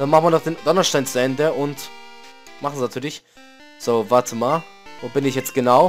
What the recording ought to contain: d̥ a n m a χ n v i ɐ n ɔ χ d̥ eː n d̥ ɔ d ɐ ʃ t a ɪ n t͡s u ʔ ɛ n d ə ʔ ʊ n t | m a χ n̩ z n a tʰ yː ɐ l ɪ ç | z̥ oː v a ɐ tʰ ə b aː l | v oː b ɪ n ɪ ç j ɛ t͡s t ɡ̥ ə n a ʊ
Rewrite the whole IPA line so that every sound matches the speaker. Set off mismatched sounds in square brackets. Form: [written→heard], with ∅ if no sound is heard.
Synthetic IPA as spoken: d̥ a n m a χ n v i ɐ n ɔ χ d̥ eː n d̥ ɔ [d→n] ɐ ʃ t a ɪ n t͡s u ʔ ɛ n d ə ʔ ʊ n t | m a χ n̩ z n a tʰ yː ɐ l ɪ ç | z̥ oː v a ɐ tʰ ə [b→m] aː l | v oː b ɪ n ɪ ç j ɛ t͡s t ɡ̥ ə n a ʊ